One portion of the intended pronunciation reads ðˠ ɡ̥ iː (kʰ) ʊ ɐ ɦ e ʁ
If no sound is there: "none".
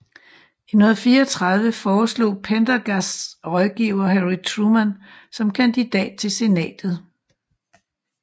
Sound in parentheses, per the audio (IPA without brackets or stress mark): none